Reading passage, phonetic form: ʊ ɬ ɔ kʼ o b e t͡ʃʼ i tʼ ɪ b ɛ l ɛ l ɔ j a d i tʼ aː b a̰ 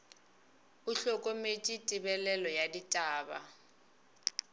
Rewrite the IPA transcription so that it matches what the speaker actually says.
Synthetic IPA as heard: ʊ ɬ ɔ kʼ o m e t͡ʃʼ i tʼ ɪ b ɛ l ɛ l ɔ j a d i tʼ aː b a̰